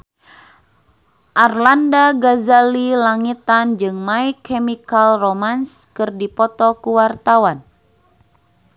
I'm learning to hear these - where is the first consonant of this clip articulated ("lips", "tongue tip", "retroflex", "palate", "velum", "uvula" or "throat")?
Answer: throat